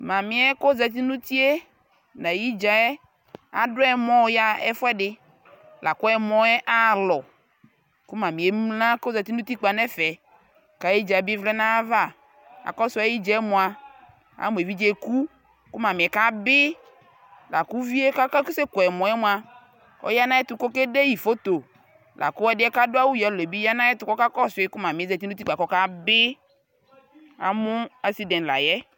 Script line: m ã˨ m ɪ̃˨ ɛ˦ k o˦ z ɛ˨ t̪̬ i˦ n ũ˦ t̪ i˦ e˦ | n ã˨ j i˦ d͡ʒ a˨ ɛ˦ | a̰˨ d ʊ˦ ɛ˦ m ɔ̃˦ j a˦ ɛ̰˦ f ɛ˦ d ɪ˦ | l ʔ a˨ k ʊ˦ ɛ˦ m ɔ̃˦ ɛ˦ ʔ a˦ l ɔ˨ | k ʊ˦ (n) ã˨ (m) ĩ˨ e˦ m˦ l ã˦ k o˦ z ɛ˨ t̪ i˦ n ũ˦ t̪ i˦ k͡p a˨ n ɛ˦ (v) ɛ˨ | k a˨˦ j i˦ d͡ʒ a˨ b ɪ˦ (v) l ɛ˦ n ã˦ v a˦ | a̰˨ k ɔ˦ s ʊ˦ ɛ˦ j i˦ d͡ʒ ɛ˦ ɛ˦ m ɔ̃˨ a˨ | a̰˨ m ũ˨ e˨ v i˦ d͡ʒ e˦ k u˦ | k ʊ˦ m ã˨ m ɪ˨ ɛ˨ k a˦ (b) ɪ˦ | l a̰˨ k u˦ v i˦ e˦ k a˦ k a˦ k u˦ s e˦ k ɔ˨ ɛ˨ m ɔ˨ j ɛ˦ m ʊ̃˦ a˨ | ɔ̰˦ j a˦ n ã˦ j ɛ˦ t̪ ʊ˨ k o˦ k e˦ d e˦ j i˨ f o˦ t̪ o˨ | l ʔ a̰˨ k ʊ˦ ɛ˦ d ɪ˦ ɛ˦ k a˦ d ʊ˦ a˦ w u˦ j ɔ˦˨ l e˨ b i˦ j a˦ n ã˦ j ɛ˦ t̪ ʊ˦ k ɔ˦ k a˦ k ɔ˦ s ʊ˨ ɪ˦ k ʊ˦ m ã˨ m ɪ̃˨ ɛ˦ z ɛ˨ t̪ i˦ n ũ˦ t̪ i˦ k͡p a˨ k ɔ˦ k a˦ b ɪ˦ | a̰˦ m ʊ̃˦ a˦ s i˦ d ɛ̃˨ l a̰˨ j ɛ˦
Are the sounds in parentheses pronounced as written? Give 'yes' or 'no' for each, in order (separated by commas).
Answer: no, yes, no, yes, yes